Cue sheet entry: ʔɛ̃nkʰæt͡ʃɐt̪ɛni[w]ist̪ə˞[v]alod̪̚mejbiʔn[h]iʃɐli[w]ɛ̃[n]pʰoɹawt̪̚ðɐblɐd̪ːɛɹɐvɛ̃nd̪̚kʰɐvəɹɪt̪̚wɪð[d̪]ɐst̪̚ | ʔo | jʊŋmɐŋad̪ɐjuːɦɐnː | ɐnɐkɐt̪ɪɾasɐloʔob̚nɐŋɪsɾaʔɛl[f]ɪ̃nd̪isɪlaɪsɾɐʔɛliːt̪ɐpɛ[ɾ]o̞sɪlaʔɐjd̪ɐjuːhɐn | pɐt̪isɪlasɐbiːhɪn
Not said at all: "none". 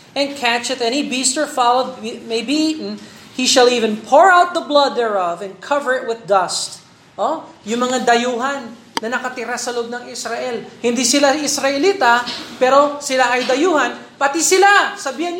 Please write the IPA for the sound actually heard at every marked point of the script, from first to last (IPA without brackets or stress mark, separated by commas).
b, f, h, v, n, d̪, h, ɾ